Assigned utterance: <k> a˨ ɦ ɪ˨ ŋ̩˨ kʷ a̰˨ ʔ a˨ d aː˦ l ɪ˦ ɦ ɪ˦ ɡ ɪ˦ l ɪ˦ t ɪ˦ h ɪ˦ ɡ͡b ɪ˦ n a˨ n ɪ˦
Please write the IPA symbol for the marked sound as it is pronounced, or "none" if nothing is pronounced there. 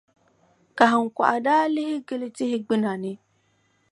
k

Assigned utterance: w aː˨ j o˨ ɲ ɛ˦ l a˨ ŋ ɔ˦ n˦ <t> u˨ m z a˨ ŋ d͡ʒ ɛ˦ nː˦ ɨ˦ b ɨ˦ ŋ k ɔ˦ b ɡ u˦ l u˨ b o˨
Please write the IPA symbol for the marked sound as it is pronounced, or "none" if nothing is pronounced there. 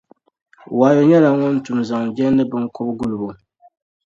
t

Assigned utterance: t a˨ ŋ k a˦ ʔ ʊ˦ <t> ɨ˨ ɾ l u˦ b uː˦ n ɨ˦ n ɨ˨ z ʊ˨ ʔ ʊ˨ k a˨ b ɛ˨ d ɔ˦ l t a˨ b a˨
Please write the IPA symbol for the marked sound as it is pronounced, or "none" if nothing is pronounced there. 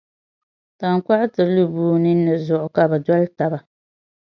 t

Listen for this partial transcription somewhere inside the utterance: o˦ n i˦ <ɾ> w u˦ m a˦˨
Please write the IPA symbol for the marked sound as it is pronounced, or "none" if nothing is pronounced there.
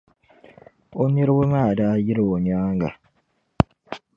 ɾ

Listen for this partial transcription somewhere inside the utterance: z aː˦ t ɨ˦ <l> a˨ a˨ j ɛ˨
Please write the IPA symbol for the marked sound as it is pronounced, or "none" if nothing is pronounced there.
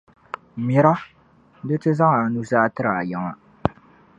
ɾ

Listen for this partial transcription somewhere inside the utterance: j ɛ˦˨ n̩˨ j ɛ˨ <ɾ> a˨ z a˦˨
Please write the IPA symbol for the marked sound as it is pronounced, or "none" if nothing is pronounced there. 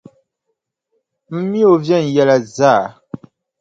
l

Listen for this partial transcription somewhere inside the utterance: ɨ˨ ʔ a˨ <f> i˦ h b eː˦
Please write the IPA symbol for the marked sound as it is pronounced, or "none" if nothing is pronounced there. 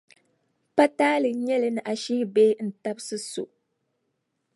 ʃ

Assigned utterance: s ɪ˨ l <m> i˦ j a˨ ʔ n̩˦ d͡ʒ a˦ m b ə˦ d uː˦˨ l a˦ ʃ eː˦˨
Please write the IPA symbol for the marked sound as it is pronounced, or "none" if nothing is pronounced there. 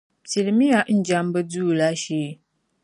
m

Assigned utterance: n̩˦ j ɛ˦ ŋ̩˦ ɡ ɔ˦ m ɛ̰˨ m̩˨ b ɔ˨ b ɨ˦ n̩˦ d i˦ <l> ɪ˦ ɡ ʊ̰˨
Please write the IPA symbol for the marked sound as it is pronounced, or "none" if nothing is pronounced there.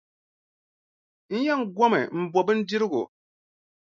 ɾ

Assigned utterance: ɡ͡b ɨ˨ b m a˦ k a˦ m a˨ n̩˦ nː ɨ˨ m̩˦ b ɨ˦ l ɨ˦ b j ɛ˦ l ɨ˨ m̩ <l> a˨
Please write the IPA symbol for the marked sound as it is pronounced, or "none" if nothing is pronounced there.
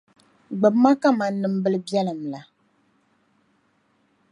l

